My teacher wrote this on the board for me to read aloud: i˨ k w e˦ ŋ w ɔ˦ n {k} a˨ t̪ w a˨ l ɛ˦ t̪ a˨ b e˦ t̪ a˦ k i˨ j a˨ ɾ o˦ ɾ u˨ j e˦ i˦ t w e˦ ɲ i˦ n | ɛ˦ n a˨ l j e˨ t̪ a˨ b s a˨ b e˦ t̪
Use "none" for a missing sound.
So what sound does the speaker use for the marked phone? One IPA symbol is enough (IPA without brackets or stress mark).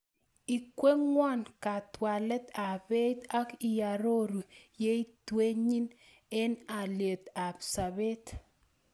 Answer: k